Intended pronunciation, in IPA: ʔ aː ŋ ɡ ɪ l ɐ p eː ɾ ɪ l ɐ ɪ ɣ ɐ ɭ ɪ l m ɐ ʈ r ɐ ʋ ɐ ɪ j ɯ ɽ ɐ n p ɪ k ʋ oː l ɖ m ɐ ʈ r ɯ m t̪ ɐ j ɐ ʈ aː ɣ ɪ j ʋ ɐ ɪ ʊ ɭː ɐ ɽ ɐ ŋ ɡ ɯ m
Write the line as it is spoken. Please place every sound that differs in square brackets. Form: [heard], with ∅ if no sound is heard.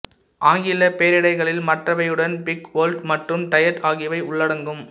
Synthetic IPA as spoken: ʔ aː ŋ ɡ ɪ l ɐ p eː ɾ ɪ [ɽ] ɐ ɪ ɣ ɐ ɭ ɪ l m ɐ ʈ r ɐ ʋ ɐ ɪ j ɯ ɽ ɐ n p ɪ k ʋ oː l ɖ m ɐ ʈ r ɯ m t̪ ɐ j ɐ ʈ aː ɣ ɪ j ʋ ɐ ɪ ʊ ɭː ɐ ɽ ɐ ŋ ɡ ɯ m